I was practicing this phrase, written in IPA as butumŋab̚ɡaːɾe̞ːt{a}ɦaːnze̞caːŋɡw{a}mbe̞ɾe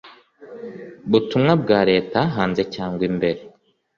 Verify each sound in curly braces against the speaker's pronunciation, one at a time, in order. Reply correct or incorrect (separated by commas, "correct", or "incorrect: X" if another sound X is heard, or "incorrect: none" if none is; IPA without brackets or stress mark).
correct, incorrect: i